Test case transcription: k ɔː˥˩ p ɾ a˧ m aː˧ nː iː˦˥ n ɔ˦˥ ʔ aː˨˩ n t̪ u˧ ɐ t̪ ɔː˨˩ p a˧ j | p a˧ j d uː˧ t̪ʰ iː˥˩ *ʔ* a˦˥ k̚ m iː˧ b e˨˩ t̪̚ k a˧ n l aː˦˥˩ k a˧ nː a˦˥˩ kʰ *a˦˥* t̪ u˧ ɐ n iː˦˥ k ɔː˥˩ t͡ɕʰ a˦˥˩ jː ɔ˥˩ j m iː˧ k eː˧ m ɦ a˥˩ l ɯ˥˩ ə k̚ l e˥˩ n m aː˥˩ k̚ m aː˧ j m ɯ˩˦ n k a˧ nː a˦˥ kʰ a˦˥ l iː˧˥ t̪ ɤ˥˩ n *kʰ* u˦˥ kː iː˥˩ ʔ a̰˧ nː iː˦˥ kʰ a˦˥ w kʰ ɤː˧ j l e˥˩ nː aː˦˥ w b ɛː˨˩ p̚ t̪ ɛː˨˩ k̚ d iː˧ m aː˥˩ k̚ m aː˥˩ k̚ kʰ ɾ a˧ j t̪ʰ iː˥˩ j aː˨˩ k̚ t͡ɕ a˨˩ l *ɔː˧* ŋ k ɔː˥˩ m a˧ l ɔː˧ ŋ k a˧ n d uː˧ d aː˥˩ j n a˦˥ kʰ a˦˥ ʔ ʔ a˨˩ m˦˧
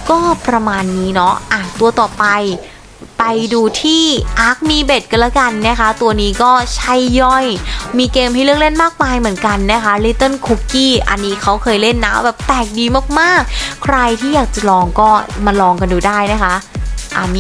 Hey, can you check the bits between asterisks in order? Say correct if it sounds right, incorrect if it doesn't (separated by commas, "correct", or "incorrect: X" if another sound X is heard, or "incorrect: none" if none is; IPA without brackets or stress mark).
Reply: correct, correct, correct, correct